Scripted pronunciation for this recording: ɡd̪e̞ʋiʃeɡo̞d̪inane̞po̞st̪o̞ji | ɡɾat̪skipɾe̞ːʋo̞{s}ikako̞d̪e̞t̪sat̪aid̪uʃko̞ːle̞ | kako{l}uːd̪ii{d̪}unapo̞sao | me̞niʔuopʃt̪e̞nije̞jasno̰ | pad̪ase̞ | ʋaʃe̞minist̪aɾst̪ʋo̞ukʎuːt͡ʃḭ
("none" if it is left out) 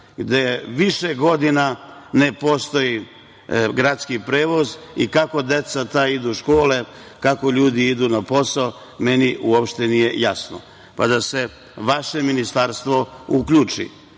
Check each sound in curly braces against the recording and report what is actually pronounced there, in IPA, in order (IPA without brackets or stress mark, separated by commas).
z, ʎ, d̪